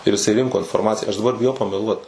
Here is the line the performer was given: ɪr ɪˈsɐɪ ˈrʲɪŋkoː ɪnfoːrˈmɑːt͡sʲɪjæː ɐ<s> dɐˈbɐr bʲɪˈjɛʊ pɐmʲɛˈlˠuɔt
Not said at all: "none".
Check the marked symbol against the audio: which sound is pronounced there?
ʃ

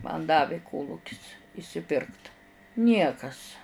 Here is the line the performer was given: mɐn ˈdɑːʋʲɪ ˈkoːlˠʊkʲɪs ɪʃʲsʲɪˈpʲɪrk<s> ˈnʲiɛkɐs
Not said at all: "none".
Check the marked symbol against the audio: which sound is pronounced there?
t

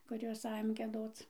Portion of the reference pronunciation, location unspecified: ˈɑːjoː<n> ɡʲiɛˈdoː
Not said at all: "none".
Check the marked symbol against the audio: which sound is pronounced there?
m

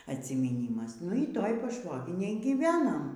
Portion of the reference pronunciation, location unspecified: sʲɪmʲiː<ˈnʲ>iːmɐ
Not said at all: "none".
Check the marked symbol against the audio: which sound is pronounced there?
nʲ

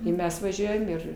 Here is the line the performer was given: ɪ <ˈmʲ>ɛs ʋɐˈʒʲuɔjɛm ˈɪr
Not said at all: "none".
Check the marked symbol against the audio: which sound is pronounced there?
mʲ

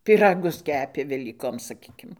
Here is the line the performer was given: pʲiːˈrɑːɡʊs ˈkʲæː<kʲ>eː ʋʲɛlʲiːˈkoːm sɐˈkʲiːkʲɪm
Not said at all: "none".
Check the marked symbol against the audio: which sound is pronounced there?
pʲ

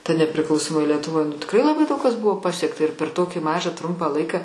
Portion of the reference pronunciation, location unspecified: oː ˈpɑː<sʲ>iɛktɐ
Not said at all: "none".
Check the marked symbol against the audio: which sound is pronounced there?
sʲ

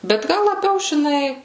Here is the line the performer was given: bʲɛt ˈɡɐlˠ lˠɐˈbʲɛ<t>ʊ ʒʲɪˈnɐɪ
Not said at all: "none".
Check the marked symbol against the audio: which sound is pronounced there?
none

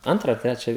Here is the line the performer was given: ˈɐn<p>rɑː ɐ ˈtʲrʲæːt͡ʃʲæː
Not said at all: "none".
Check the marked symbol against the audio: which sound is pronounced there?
t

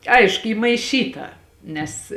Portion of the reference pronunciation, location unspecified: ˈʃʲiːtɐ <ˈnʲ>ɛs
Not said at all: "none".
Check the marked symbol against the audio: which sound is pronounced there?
nʲ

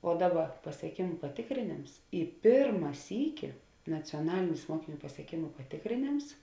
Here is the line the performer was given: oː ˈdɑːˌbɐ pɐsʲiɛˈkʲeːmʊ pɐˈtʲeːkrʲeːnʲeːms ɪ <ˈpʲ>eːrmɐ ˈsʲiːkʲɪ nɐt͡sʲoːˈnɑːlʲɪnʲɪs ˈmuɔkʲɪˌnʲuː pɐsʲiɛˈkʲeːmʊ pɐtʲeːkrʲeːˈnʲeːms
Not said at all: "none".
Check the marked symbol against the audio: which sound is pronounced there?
pʲ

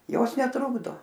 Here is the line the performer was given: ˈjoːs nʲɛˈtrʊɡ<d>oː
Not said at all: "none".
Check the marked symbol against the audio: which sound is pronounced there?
d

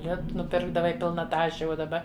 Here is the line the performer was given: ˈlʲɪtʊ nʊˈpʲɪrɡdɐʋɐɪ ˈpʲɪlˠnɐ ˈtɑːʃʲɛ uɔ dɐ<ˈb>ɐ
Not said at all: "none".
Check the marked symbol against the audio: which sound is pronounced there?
b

